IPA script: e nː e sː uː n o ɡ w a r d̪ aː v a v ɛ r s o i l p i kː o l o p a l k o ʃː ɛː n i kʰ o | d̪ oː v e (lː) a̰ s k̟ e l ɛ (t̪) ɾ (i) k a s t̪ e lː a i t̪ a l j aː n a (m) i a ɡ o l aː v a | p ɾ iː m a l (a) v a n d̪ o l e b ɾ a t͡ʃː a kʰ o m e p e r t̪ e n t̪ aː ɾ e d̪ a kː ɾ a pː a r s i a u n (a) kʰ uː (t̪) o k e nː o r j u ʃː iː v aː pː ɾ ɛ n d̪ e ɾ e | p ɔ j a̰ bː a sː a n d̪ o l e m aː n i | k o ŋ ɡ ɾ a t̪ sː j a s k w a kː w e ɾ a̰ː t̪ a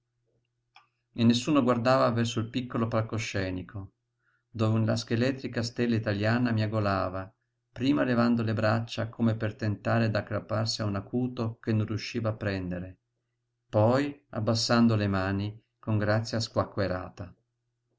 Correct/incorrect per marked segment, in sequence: incorrect: l, correct, correct, correct, incorrect: e, correct, correct

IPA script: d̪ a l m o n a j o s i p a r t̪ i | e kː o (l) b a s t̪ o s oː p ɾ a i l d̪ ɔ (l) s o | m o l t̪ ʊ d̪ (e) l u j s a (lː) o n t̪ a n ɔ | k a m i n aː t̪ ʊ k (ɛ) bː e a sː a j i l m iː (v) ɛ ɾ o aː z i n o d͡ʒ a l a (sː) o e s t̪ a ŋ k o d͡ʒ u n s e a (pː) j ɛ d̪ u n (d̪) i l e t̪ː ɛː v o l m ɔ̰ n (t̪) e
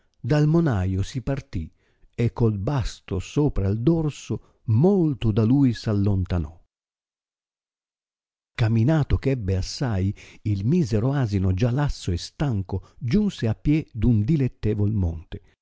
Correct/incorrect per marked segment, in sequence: correct, incorrect: r, incorrect: a, correct, correct, incorrect: z, correct, correct, correct, correct

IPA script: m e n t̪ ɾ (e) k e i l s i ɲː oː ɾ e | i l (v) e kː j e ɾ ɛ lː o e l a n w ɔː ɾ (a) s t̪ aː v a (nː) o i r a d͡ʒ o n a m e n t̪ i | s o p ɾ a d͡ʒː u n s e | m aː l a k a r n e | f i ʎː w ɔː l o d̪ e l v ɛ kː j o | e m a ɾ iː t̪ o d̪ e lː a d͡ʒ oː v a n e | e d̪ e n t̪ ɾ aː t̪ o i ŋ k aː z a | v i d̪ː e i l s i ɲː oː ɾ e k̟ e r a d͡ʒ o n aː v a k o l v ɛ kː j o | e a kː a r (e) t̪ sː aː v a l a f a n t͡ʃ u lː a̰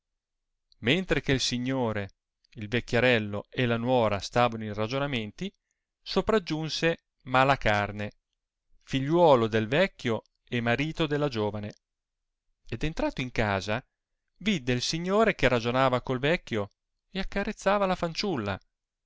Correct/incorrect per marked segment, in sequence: correct, correct, correct, incorrect: n, correct

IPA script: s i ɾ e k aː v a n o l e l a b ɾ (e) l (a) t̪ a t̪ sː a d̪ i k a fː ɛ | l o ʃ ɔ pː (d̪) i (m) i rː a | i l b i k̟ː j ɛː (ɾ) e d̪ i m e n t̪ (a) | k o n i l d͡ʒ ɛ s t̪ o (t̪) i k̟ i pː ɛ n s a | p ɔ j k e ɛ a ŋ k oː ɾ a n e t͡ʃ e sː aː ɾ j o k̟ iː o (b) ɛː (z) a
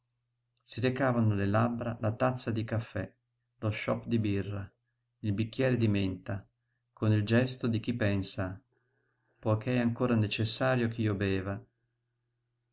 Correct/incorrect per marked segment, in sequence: incorrect: a, correct, correct, incorrect: b, correct, correct, incorrect: d̪, correct, incorrect: v

